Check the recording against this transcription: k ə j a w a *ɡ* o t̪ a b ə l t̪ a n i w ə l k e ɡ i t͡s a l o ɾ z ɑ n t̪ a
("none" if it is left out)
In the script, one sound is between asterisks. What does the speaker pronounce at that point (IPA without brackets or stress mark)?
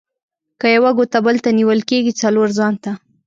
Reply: ɡ